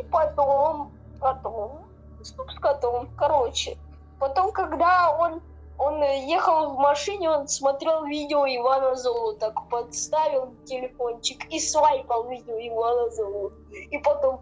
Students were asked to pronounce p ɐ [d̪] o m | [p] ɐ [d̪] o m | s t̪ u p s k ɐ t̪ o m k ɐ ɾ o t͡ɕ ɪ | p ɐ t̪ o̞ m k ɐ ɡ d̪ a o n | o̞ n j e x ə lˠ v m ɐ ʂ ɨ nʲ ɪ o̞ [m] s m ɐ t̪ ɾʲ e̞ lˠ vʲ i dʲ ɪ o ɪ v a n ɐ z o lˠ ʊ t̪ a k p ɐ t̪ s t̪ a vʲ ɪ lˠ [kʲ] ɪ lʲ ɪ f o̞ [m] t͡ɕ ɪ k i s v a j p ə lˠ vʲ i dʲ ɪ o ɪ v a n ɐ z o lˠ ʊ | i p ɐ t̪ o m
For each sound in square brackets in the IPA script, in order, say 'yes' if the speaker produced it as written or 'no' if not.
no, no, no, no, no, no

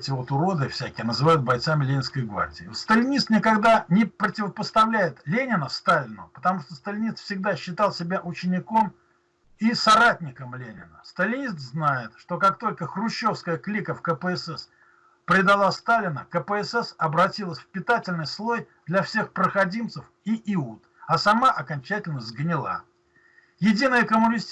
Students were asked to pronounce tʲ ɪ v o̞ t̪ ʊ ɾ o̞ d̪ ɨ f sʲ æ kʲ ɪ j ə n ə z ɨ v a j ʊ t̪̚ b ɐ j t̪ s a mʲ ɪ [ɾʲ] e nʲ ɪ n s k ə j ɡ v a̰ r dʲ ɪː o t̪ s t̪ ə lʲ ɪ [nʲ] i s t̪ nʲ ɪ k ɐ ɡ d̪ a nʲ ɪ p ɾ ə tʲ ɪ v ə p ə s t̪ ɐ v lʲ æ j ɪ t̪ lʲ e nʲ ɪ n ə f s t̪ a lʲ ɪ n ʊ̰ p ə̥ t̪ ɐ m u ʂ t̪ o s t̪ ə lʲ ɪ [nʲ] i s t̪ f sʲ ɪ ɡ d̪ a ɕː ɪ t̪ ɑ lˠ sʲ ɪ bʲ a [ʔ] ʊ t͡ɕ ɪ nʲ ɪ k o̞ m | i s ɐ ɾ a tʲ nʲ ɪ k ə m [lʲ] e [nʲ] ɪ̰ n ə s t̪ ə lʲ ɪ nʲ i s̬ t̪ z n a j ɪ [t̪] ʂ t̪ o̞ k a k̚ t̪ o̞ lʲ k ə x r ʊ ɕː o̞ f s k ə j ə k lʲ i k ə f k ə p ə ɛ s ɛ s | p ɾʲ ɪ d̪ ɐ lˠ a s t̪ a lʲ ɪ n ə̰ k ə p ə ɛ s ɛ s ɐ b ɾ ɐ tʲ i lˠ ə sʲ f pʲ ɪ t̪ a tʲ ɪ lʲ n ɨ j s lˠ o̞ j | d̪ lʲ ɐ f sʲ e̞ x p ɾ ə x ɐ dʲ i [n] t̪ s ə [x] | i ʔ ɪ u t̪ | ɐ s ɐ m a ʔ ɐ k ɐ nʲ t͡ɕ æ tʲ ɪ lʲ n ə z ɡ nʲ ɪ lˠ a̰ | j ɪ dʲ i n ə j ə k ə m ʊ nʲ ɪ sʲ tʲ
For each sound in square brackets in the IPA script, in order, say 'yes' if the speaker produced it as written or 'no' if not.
no, yes, yes, yes, yes, yes, yes, no, no

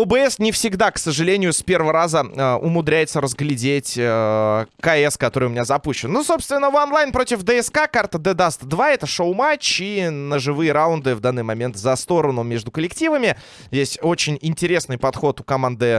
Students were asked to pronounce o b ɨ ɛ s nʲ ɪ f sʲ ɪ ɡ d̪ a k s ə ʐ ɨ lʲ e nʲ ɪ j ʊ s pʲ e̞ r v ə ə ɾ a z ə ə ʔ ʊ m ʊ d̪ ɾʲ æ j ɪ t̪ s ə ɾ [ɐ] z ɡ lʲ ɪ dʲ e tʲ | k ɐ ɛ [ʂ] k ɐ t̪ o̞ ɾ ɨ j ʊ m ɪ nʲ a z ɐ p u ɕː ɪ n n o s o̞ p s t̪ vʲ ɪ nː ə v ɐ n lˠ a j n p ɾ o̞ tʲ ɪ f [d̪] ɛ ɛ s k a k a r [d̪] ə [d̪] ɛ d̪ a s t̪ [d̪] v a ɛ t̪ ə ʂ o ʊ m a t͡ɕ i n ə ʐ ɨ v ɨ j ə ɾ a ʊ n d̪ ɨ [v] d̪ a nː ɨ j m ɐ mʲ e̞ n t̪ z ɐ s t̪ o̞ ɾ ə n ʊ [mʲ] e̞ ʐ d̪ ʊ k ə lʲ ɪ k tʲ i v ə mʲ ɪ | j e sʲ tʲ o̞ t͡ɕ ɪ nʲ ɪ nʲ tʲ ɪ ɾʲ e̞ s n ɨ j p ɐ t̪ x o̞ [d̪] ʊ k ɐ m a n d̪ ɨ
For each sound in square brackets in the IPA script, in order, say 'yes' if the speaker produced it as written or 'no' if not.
no, no, yes, no, yes, yes, yes, yes, no

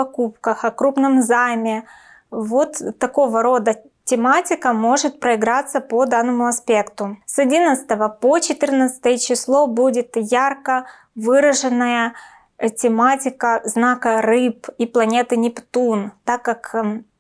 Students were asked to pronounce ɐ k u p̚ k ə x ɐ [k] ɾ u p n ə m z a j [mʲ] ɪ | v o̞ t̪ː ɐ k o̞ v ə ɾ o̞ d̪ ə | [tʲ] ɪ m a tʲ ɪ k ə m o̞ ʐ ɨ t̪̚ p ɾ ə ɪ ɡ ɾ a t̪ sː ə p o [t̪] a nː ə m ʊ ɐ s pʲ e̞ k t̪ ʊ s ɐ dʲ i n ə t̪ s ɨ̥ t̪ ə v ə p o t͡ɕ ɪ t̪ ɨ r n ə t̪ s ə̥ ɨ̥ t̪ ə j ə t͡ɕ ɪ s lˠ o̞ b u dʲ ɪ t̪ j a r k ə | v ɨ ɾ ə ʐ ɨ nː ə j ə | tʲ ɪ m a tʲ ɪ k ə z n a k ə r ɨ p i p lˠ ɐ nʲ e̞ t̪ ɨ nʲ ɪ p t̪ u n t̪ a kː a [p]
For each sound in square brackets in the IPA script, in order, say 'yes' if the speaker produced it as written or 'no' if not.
yes, yes, yes, no, no

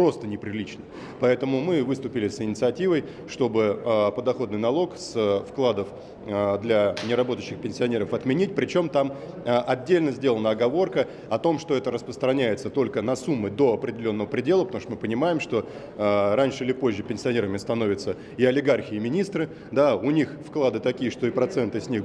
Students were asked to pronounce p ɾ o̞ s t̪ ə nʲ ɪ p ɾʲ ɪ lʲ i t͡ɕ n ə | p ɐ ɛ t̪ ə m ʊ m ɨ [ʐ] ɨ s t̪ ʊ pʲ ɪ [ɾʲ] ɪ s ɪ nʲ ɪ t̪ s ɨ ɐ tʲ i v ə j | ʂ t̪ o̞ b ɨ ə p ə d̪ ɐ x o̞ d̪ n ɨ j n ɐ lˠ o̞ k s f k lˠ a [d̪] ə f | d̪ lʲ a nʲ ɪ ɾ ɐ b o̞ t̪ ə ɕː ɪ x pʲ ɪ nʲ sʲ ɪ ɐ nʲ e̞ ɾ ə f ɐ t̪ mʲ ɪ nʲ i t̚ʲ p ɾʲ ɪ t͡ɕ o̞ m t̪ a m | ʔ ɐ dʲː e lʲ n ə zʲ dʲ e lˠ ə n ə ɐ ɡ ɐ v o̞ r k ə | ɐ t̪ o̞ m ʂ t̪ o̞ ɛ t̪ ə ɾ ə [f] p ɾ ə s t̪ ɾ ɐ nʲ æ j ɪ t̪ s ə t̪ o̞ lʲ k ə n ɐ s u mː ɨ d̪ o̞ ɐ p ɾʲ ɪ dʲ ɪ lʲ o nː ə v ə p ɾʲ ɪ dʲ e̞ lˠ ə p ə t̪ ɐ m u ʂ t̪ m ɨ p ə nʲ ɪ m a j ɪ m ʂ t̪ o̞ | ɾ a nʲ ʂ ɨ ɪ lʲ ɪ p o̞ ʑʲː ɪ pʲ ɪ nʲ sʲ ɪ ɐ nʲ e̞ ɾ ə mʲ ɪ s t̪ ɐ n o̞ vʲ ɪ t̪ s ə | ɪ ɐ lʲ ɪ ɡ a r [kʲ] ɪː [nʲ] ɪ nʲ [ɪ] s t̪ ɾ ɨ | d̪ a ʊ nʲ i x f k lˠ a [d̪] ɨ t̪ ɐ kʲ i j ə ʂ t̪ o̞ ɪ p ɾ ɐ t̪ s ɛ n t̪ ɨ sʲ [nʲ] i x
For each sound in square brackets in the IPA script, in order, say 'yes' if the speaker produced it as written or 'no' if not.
no, no, yes, no, no, no, no, yes, yes

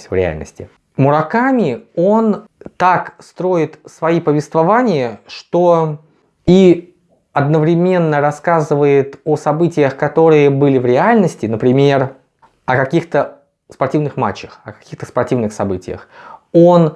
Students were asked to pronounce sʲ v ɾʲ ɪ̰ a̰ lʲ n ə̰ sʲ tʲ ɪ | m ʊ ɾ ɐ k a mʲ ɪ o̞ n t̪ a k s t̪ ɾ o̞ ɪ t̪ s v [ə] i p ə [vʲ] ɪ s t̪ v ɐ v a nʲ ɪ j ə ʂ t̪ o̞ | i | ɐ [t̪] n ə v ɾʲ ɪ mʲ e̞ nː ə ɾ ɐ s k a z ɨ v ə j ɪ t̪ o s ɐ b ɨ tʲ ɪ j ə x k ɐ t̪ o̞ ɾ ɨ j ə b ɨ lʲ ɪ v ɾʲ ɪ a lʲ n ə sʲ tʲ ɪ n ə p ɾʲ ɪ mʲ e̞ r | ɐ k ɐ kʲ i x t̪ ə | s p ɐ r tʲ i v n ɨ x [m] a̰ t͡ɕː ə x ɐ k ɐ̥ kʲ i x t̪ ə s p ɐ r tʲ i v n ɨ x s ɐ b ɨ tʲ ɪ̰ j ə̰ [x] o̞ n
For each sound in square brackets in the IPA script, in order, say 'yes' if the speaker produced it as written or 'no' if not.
no, yes, no, yes, yes

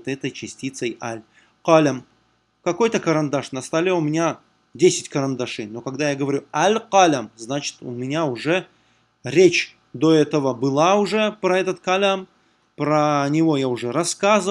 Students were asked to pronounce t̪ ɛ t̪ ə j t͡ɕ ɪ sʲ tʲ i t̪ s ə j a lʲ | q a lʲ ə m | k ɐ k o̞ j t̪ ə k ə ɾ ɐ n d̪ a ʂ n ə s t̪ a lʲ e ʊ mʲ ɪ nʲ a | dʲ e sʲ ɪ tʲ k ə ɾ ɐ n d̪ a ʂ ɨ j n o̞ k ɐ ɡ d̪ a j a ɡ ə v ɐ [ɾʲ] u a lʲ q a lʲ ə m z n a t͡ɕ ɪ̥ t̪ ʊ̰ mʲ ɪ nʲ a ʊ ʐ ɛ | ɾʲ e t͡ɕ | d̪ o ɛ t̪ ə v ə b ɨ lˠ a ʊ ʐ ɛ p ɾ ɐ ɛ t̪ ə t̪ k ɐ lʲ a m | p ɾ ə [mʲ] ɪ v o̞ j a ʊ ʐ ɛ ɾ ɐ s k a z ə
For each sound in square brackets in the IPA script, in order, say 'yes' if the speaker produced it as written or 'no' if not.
yes, no

